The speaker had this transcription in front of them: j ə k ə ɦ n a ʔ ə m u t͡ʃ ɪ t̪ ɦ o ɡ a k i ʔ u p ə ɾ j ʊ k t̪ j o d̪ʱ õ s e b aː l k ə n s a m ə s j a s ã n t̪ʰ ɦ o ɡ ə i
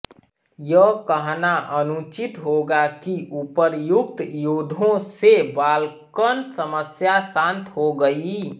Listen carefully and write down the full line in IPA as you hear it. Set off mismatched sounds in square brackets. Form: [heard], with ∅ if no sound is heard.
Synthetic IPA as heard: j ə k ə ɦ n a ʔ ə [n] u t͡ʃ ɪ t̪ ɦ o ɡ a k i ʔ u p ə ɾ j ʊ k t̪ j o d̪ʱ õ s e b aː l k ə n s [ə] m ə s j a s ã n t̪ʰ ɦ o ɡ ə i